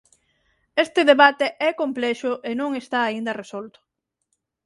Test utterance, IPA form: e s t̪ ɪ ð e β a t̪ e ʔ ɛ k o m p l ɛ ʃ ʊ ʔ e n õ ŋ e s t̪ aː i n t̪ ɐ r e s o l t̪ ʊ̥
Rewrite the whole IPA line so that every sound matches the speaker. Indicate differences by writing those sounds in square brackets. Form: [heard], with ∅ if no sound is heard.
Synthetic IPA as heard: e s t̪ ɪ ð e β a t̪ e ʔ ɛ k o m p l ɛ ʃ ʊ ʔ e n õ ŋ e s t̪ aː i n [d̪] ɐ r e s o l t̪ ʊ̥